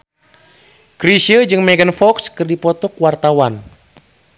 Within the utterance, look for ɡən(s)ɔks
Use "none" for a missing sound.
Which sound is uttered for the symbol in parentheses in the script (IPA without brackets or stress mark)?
f